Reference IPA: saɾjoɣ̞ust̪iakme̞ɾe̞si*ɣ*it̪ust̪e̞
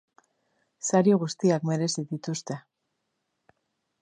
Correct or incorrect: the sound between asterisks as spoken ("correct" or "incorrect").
incorrect